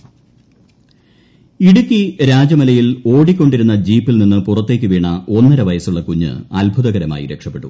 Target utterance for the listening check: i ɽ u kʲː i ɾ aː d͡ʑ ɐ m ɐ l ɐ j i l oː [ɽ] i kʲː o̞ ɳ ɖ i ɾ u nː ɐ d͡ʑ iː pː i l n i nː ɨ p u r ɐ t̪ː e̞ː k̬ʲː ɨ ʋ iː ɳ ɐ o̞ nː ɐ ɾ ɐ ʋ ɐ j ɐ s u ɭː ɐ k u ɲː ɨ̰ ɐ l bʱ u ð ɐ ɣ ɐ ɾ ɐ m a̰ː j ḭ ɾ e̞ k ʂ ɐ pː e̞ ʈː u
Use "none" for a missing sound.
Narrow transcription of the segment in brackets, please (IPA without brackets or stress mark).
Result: ɽ